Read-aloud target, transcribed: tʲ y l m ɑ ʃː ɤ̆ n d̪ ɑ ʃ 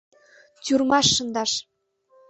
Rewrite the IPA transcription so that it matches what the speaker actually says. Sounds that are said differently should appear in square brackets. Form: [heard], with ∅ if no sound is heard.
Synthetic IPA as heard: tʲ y [r] m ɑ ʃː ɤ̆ n d̪ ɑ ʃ